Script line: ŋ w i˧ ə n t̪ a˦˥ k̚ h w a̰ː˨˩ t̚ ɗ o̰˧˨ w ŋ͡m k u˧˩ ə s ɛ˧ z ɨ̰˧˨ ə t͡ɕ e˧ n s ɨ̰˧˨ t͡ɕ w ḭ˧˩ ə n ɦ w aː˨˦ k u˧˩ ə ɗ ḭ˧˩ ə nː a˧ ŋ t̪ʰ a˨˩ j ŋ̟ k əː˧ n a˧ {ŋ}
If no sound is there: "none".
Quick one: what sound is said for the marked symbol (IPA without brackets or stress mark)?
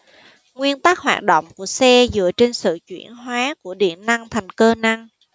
ŋ